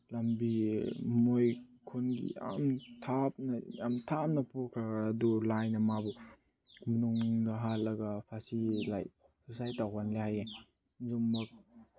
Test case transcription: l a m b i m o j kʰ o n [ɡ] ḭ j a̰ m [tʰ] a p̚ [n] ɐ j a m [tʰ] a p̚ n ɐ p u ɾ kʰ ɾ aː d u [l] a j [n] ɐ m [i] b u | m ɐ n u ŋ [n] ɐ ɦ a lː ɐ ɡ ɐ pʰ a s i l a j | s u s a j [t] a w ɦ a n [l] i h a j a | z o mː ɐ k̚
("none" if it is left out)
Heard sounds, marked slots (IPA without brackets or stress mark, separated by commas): ɡ, tʰ, n, tʰ, l, n, a, d, t, l